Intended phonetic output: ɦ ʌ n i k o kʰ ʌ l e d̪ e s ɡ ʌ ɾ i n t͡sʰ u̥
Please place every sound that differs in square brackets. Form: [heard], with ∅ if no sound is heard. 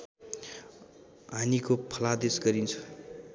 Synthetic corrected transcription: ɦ [a] n i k o [pʰ] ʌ l [a] d̪ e s ɡ ʌ ɾ i n t͡sʰ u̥